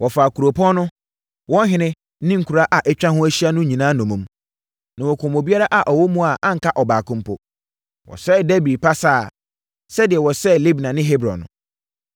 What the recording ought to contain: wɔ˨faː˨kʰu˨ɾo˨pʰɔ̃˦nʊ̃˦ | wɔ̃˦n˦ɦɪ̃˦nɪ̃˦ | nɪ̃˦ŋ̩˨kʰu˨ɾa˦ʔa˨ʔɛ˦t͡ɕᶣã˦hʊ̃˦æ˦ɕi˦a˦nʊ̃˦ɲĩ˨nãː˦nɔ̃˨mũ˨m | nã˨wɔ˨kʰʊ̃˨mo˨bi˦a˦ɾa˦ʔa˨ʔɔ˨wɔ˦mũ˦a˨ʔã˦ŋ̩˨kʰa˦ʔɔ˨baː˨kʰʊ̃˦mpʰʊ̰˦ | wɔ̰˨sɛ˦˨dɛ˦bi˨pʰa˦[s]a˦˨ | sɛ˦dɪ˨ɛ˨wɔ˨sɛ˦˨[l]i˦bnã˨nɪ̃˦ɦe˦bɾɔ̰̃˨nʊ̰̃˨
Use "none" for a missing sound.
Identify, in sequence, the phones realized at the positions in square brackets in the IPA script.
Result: s, l

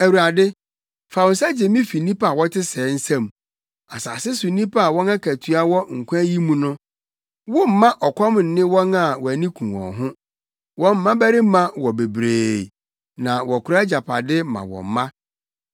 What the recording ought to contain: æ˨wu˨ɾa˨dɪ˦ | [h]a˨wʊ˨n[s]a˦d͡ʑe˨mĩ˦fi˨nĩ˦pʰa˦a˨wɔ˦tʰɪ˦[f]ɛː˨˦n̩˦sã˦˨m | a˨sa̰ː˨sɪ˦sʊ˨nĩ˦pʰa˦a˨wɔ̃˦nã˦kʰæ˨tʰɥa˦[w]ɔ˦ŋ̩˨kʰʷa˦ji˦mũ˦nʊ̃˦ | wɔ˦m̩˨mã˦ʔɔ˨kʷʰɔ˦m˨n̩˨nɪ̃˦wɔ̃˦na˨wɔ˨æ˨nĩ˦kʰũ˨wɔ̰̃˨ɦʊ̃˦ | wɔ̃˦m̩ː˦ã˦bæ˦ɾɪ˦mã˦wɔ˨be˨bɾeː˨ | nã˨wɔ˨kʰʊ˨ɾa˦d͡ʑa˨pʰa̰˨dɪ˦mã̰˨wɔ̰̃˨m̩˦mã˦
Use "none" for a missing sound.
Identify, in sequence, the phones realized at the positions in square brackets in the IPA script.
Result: f, s, s, w

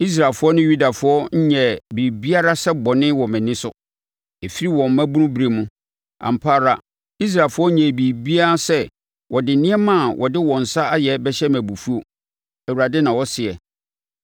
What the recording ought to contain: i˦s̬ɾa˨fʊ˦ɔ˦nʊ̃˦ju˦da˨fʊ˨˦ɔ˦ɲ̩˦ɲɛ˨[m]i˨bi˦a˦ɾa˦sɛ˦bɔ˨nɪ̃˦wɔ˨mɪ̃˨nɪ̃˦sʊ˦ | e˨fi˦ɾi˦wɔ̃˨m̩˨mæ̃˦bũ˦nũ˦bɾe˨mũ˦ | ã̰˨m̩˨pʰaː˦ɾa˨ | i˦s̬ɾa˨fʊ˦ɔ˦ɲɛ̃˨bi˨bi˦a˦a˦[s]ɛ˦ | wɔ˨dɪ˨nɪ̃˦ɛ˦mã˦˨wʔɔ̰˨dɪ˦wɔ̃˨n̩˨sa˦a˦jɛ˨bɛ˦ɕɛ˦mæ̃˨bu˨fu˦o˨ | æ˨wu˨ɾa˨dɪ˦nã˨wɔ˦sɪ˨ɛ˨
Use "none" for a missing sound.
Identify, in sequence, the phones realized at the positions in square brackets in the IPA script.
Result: b, s

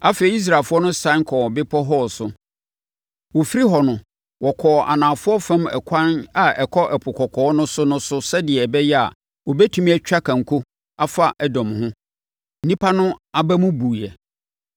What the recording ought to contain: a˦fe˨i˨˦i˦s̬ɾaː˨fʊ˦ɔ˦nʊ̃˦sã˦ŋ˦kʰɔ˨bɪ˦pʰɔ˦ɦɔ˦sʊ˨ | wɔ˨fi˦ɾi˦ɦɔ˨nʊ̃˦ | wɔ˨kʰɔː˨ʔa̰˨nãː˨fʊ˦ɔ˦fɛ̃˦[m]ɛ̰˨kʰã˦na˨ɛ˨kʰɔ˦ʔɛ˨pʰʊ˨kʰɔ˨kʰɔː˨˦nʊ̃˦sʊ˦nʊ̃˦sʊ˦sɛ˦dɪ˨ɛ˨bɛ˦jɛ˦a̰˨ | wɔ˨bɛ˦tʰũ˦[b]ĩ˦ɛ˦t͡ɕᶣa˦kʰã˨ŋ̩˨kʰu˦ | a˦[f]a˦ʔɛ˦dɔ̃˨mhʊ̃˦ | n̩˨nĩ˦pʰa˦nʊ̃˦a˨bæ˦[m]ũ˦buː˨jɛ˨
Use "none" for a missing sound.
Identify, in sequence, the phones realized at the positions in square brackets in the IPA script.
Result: m, m, f, m

